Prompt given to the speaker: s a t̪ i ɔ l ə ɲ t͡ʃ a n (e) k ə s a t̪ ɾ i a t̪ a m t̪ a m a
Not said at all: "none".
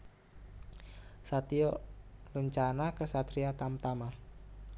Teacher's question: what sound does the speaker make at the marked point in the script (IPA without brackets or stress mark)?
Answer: a